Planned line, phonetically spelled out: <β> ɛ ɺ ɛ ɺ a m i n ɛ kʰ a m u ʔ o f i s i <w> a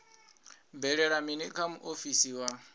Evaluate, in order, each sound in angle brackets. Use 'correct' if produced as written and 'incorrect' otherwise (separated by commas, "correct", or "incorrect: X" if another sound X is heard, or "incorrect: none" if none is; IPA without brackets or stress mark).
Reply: incorrect: b, correct